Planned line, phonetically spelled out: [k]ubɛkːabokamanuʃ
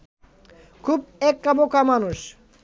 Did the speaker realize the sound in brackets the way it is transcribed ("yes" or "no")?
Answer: no